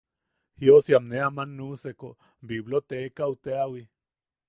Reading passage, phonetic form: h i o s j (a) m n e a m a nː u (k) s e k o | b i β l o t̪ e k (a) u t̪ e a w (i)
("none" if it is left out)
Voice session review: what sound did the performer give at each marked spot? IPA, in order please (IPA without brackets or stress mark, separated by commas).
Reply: a, none, a, i